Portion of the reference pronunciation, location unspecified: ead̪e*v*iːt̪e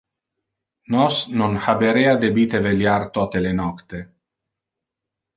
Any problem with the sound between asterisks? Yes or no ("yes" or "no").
yes